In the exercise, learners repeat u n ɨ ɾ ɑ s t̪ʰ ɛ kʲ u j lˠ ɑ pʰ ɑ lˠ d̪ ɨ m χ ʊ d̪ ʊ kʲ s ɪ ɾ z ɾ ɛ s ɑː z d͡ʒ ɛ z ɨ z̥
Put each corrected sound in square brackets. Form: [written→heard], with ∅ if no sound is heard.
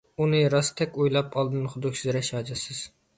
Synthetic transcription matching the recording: u n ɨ ɾ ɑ s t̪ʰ ɛ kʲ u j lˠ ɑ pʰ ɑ lˠ d̪ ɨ [m→n] χ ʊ d̪ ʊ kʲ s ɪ [ɾ→∅] z ɾ ɛ [s→ʃ] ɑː [z→∅] d͡ʒ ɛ [z→s] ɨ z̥

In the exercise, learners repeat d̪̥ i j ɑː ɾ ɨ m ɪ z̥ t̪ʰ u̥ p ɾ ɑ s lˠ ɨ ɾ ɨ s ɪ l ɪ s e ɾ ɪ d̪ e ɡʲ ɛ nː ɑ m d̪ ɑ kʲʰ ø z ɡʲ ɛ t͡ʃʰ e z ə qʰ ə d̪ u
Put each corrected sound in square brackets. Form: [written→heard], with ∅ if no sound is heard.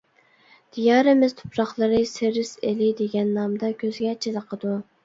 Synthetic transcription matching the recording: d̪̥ i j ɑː ɾ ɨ m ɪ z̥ t̪ʰ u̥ p ɾ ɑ [s→χ] lˠ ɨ ɾ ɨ s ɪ [l→ɾ] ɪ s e [ɾ→l] ɪ d̪ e ɡʲ ɛ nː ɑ m d̪ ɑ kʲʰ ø z ɡʲ ɛ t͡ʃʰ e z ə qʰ ə d̪ u

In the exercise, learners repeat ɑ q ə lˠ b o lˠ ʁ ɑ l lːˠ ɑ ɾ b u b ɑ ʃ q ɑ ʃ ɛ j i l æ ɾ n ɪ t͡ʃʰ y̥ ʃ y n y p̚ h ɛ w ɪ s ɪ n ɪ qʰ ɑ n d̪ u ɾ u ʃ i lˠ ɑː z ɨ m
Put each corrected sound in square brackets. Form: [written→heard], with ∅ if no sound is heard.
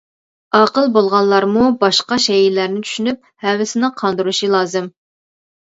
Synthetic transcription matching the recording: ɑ q ə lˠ b o lˠ ʁ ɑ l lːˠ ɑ ɾ [b→m] u b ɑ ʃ q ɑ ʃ ɛ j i l æ ɾ n ɪ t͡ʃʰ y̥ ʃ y n y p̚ h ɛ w ɪ s ɪ n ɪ qʰ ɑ n d̪ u ɾ u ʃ i lˠ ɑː z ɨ m

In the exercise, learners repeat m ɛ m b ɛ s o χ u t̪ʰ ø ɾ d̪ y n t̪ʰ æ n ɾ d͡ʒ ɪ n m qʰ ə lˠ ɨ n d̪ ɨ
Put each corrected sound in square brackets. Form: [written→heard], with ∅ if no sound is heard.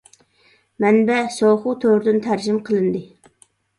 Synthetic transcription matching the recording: m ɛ [m→n] b ɛ s o χ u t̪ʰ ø ɾ d̪ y n t̪ʰ æ [n→∅] ɾ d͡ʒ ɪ [n→∅] m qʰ ə lˠ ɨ n d̪ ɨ

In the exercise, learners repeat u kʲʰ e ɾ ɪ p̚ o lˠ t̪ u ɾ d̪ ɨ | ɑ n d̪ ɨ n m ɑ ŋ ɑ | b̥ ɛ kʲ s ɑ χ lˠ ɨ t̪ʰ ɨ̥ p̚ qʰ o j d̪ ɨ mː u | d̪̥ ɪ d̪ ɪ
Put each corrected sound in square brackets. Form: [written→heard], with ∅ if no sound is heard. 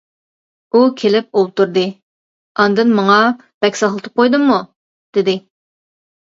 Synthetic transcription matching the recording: u kʲʰ e [ɾ→l] ɪ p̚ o lˠ t̪ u ɾ d̪ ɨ | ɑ n d̪ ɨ n m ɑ ŋ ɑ | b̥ ɛ kʲ s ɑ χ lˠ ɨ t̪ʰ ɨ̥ p̚ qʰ o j d̪ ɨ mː u | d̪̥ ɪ d̪ ɪ

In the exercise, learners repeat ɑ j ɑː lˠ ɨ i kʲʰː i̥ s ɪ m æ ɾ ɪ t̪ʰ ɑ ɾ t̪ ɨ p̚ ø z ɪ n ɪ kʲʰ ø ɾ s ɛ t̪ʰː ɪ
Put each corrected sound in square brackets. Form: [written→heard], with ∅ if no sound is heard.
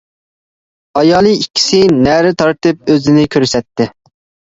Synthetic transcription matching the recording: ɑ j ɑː lˠ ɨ i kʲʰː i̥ s ɪ [m→n] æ ɾ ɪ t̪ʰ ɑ ɾ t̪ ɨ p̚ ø z ɪ n ɪ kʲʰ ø ɾ s ɛ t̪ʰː ɪ

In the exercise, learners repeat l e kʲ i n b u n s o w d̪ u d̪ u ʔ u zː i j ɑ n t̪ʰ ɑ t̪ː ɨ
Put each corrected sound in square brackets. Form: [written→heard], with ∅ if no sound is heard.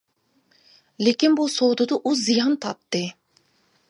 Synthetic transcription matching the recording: l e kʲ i n b u [n→∅] s o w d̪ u d̪ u ʔ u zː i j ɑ n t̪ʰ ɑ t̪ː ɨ

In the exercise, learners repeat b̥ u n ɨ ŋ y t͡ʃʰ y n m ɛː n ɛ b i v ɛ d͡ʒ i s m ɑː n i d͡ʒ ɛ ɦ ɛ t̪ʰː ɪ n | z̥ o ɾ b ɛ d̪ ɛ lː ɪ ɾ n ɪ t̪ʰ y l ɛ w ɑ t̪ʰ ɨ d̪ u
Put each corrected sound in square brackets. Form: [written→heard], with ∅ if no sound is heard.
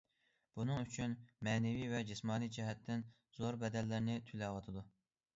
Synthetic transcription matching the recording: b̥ u n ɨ ŋ y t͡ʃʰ y n m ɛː n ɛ [b→v] i v ɛ d͡ʒ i s m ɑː n i d͡ʒ ɛ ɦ ɛ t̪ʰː ɪ n | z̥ o ɾ b ɛ d̪ ɛ lː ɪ ɾ n ɪ t̪ʰ y l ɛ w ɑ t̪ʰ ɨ d̪ u

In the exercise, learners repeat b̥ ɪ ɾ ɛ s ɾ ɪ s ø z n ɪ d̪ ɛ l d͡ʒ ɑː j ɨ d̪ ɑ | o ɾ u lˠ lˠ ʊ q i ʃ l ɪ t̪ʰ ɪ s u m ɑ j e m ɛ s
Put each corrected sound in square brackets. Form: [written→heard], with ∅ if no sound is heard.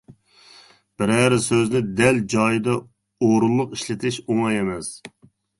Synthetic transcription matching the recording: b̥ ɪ ɾ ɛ [s→∅] ɾ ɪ s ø z n ɪ d̪ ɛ l d͡ʒ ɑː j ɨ d̪ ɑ | o ɾ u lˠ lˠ ʊ q i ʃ l ɪ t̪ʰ ɪ [s→ʃ] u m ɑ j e m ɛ s

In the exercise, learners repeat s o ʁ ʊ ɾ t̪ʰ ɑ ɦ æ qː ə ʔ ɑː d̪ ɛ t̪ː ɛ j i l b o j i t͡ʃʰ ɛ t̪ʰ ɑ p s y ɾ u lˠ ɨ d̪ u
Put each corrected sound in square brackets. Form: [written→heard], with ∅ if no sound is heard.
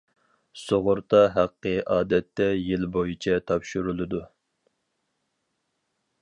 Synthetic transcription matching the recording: s o ʁ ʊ ɾ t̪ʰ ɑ ɦ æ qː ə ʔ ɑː d̪ ɛ t̪ː ɛ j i l b o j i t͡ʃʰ ɛ t̪ʰ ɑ p [s→ʃ] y ɾ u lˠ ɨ d̪ u

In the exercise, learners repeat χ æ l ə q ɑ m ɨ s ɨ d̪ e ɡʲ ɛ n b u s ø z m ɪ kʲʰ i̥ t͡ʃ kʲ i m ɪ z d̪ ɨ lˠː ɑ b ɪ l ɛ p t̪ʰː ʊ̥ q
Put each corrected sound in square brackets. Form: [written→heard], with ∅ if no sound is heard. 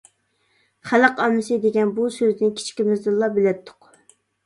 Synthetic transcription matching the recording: χ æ l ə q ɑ m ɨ s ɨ d̪ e ɡʲ ɛ n b u s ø z [m→n] ɪ kʲʰ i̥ t͡ʃ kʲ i m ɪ z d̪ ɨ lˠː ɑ b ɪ l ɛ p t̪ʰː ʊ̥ q

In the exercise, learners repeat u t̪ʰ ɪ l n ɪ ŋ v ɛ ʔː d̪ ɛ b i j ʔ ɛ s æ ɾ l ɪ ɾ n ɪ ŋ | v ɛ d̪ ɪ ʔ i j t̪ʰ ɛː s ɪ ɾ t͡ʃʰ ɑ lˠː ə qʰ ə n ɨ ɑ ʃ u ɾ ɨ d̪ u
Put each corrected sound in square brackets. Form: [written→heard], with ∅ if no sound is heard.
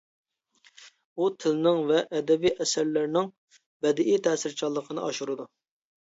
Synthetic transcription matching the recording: u t̪ʰ ɪ l n ɪ ŋ v ɛ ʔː d̪ ɛ b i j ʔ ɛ s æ ɾ l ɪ ɾ n ɪ ŋ | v ɛ d̪ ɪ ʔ i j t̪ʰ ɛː s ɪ ɾ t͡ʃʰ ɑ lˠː ə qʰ ə n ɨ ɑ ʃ u ɾ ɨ d̪ u

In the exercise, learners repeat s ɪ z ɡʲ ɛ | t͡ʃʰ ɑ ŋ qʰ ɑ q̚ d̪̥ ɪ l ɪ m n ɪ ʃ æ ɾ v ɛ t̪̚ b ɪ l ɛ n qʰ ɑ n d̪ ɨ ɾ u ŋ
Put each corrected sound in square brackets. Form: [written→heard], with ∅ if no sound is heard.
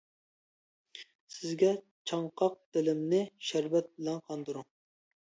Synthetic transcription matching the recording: s ɪ z ɡʲ ɛ | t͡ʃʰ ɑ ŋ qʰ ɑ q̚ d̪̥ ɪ l ɪ m n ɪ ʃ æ ɾ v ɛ t̪̚ b ɪ l ɛ n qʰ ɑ n d̪ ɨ ɾ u ŋ

